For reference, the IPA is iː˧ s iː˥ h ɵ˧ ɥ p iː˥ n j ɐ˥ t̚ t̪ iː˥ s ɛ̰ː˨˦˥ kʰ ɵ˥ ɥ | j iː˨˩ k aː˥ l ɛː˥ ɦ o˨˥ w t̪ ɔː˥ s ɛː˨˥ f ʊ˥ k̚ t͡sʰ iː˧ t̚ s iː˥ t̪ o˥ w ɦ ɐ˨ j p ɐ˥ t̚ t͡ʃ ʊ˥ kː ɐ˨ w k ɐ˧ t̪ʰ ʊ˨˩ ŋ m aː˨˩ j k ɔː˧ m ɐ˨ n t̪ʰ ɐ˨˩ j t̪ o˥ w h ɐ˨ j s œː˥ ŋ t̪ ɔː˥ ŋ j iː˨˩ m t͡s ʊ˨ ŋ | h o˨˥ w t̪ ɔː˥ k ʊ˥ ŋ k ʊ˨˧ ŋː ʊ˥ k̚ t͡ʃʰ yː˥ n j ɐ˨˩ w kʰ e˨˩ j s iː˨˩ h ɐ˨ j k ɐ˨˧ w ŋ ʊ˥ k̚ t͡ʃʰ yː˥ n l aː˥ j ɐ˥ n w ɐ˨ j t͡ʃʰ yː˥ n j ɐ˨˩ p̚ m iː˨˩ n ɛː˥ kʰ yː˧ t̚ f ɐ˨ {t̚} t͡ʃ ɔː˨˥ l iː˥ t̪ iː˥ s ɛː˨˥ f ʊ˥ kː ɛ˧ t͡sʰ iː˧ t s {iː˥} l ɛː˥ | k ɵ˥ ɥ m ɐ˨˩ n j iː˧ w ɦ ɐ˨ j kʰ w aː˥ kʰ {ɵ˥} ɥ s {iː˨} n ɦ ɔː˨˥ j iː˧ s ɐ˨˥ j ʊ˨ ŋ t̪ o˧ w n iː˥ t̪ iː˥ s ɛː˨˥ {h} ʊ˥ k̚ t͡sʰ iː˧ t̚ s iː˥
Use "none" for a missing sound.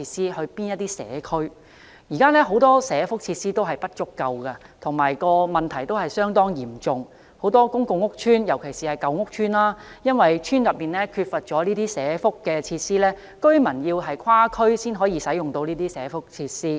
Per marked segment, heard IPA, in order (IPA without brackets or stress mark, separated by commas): t̚, iː˥, ɵ˥, iː˥, f